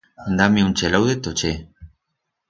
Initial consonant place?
alveolar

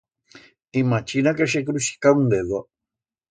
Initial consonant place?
labial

